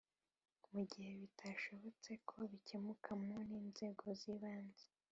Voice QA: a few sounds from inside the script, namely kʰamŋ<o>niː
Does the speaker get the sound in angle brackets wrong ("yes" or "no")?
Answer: no